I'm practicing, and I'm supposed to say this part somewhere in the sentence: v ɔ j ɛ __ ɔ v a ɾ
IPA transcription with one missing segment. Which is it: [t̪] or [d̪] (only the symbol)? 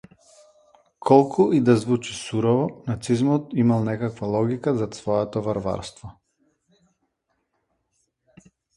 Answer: t̪